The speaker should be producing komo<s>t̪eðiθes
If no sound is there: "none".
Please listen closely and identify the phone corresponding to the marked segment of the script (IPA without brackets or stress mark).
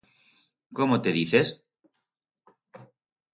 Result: none